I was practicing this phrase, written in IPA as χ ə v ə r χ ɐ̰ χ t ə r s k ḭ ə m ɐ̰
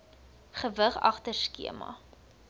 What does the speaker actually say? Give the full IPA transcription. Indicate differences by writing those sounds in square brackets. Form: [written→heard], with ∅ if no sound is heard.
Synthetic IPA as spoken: χ ə v ə [r→∅] χ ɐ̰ χ t ə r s k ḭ ə m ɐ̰